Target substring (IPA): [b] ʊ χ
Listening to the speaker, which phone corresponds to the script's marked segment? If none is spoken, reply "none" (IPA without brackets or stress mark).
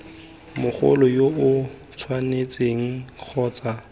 m